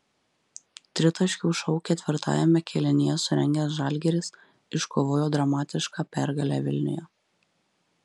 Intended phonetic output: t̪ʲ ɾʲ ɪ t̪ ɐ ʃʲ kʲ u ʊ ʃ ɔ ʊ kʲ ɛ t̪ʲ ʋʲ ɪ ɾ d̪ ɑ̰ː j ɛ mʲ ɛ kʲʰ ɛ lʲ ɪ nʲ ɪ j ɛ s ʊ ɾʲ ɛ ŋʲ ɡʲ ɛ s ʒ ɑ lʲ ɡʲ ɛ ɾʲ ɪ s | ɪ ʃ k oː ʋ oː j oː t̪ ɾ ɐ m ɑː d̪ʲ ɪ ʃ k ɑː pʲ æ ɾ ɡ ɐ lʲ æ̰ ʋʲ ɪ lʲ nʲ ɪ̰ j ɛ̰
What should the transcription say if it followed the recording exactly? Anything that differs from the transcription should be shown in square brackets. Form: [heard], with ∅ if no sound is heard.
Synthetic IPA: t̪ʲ ɾʲ ɪ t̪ ɐ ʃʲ kʲ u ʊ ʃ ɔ ʊ kʲ ɛ t̪ʲ ʋʲ ɪ ɾ [t̪] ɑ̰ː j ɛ mʲ ɛ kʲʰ ɛ lʲ ɪ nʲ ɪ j ɛ s ʊ ɾʲ ɛ ŋʲ ɡʲ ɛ s ʒ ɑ lʲ ɡʲ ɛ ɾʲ ɪ s | ɪ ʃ k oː ʋ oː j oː [d̪] ɾ ɐ m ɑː [t̪ʲ] ɪ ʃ k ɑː pʲ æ ɾ ɡ ɐ lʲ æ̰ ʋʲ ɪ lʲ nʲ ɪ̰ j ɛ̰